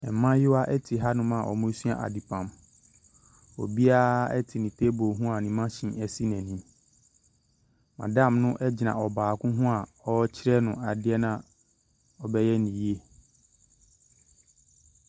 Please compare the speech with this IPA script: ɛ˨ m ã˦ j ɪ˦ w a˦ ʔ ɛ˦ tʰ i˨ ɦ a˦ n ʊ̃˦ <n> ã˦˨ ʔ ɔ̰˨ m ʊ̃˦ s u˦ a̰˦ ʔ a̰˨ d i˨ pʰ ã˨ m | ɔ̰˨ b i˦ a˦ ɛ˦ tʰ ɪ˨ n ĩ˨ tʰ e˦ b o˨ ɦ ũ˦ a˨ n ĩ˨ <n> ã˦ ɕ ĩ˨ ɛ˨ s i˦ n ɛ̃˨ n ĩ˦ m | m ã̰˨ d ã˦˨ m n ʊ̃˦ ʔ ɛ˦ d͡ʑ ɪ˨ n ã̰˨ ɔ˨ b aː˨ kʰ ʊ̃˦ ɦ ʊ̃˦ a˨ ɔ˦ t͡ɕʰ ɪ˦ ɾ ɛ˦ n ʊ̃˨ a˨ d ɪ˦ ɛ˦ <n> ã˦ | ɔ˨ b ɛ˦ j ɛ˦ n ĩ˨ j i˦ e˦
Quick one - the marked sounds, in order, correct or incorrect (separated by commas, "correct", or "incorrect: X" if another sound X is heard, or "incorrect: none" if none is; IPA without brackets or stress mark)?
incorrect: m, incorrect: m, correct